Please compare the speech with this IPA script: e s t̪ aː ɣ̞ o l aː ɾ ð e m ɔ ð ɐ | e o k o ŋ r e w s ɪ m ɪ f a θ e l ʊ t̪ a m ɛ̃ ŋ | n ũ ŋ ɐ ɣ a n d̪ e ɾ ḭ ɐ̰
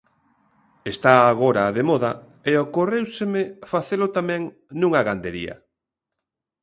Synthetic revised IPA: e s t̪ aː ɣ̞ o ɾ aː ð e m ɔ ð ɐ | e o k o r e w s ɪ m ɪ f a θ e l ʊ t̪ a m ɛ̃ ŋ | n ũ ŋ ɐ ɣ a n d̪ e ɾ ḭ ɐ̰